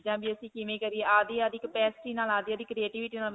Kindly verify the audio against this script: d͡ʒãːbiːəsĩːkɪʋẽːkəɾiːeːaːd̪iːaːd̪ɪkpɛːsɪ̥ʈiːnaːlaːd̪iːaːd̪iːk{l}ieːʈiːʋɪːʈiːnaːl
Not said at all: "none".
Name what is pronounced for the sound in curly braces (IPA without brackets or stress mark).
ɾ